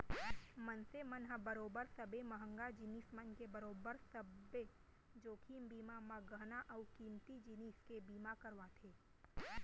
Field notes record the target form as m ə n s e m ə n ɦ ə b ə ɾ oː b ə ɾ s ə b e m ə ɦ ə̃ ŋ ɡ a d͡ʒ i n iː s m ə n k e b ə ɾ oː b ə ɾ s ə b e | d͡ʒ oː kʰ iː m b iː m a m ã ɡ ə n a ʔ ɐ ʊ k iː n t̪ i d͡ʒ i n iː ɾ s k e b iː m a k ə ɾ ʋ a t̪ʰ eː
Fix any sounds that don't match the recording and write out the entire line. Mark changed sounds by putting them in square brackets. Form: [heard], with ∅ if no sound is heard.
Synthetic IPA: m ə n s e m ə n ɦ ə b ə ɾ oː b ə ɾ s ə b e m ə ɦ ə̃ ŋ ɡ a d͡ʒ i n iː s m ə n k e b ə ɾ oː b ə ɾ s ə b e | d͡ʒ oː kʰ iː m b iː m a m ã ɡ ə n a ʔ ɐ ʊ k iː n t̪ i d͡ʒ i n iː [∅] s k e b iː m a k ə ɾ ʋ a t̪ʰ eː